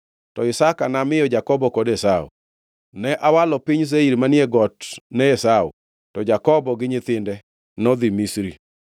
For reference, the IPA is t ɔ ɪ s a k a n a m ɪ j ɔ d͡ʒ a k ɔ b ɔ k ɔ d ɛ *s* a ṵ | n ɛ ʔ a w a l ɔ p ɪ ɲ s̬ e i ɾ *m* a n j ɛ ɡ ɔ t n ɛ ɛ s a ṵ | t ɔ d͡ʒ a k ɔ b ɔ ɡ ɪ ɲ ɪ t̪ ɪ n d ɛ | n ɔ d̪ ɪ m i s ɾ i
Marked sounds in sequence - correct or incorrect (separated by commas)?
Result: correct, correct